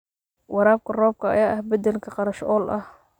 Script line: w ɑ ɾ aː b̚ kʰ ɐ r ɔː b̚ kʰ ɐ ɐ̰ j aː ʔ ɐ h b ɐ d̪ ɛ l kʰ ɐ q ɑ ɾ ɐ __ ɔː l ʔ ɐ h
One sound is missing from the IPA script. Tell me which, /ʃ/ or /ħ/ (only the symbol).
ʃ